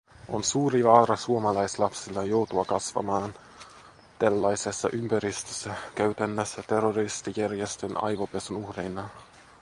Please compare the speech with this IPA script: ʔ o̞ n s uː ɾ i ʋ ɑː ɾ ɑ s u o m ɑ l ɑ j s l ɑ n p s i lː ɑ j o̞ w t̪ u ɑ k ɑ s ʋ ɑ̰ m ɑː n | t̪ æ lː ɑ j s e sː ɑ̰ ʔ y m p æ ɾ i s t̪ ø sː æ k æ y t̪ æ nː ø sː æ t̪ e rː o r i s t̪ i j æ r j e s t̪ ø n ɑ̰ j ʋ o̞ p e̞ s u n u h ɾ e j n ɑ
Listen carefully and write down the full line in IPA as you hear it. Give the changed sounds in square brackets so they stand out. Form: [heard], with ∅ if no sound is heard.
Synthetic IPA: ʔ o̞ n s uː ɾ i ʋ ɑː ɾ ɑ s u o m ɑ l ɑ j s l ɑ [∅] p s i lː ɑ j o̞ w t̪ u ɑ k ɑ s ʋ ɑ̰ m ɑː n | t̪ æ lː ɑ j s e sː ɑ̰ ʔ y m p æ ɾ i s t̪ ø sː æ k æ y t̪ æ nː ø sː æ t̪ e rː o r i s t̪ i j æ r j e s t̪ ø n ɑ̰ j ʋ o̞ p e̞ s u n u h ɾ e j n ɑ